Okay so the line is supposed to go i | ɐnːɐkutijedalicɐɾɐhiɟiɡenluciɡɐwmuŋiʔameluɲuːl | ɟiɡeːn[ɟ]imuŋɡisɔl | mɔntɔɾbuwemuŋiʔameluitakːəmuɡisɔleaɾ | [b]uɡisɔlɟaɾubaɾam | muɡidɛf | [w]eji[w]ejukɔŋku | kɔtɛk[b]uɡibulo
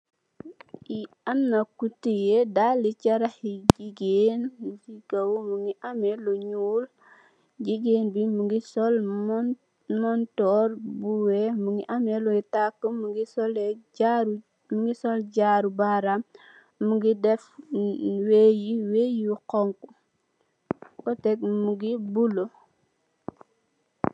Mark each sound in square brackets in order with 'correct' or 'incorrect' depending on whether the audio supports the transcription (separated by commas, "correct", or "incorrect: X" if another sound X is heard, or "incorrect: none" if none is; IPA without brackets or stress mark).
incorrect: b, incorrect: m, correct, correct, incorrect: m